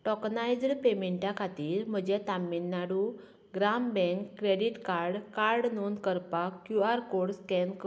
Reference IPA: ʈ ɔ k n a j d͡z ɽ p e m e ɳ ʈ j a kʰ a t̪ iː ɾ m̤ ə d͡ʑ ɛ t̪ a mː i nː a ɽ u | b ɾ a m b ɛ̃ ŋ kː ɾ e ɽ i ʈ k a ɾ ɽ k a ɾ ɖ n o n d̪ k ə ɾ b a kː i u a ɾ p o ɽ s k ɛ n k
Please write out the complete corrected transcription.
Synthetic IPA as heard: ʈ ɔ k n a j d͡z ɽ p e m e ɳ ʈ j a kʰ a t̪ iː ɾ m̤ ə d͡ʑ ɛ t̪ a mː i nː a ɽ u | ɡ ɾ a m b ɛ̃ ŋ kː ɾ e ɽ i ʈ k a ɾ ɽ k a ɾ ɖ n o n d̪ k ə ɾ p a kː j u a ɾ k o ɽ s k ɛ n k

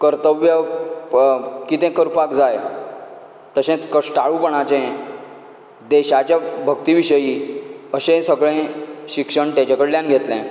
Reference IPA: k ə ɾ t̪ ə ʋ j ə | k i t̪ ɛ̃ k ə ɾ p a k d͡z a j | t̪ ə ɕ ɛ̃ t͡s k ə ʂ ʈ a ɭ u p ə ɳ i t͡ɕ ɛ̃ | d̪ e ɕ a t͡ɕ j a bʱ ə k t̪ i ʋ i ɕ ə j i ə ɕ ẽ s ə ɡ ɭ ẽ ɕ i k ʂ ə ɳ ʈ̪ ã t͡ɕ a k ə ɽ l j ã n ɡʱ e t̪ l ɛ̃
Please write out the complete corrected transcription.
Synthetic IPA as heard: k ə ɾ t̪ ə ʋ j ə | k i t̪ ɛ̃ k ə ɾ p a k d͡z a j | t̪ ə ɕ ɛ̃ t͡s k ə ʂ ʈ a ɭ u p ə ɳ a t͡ɕ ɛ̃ | d̪ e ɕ a t͡ɕ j a bʱ ə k t̪ i ʋ i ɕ ə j i ə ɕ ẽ s ə ɡ ɭ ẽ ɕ i k ʂ ə ɳ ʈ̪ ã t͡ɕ a k ə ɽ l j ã n ɡʱ e t̪ l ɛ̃

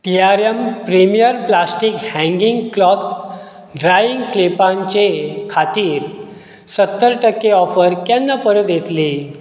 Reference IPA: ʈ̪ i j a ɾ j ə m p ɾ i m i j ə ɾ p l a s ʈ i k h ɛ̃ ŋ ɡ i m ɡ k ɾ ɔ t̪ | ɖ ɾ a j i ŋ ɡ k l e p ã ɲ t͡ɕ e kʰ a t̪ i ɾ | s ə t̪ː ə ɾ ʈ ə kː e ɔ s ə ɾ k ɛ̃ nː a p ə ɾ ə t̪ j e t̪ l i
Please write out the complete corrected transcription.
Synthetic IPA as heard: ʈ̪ i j a ɾ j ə m p ɾ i m i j ə ɾ p l a s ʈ i k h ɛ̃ ŋ ɡ i ŋ ɡ k l ɔ t̪ | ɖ ɾ a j i ŋ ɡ k l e p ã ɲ t͡ɕ e kʰ a t̪ iː ɾ | s ə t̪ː ə ɾ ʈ ə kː e ɔ f ə ɾ k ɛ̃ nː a p ə ɾ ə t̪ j e t̪ l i

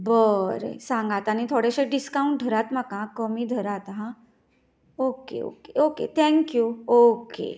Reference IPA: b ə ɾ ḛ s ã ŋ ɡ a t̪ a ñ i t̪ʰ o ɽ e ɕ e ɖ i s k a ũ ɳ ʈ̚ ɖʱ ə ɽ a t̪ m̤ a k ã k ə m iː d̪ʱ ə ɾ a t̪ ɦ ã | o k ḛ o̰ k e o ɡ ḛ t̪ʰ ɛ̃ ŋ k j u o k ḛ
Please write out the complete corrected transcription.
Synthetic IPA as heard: b ə ɾ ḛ s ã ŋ ɡ a t̪ a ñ i t̪ʰ o ɽ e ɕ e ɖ i s k a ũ ɳ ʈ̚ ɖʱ ə ɾ a t̪ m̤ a k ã k ə m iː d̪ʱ ə ɾ a t̪ ɦ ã | o k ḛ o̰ k e o k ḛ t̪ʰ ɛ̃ ŋ k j u o k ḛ

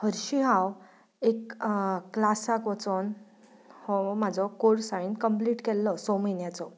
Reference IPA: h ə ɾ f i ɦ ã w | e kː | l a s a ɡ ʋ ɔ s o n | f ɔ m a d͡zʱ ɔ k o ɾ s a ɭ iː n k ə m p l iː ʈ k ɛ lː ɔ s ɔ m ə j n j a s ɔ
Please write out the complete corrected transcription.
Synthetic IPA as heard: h ə ɾ ɕ i ɦ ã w | e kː | l a s a k ʋ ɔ t͡s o n | h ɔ m a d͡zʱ ɔ k o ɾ s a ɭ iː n k ə m p l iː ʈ k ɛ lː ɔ s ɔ m ə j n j a t͡s ɔ

